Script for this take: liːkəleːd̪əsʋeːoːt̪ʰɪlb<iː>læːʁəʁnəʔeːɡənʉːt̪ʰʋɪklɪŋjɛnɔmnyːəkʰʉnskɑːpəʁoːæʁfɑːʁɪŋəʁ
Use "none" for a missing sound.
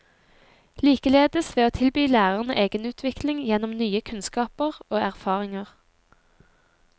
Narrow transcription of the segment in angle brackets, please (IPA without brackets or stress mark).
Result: yː